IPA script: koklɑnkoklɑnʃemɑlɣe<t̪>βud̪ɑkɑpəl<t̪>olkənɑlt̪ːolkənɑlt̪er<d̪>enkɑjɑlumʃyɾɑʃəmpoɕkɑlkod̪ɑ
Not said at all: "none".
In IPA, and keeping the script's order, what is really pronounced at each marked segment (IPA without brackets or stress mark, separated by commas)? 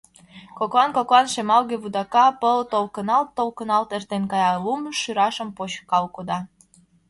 none, t̪, t̪